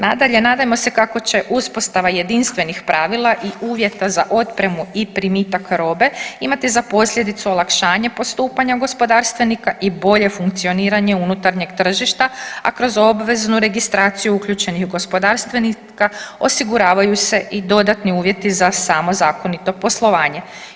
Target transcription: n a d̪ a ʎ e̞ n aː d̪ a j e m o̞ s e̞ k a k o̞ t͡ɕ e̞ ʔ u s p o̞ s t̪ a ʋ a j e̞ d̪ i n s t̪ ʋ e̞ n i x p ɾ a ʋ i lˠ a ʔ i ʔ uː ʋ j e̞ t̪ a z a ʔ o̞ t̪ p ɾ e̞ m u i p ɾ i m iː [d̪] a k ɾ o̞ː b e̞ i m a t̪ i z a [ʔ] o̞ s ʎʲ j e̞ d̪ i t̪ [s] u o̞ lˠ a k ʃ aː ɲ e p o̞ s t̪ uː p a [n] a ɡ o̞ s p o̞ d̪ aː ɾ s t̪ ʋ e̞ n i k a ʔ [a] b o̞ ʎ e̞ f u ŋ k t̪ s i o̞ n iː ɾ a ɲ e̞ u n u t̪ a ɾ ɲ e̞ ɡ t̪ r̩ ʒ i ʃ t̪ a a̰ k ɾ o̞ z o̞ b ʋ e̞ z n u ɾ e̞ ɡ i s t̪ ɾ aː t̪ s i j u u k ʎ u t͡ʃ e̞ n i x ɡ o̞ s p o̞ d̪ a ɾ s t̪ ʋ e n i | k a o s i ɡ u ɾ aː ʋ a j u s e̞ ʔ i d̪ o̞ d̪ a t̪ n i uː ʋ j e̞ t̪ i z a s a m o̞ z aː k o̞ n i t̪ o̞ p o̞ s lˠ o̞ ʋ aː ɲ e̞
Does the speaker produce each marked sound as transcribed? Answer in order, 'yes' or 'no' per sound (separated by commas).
no, no, yes, no, no